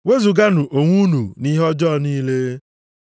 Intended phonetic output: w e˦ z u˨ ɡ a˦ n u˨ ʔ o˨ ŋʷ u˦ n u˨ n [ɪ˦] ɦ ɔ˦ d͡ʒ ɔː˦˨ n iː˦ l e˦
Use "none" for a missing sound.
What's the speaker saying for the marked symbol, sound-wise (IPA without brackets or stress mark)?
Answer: i˦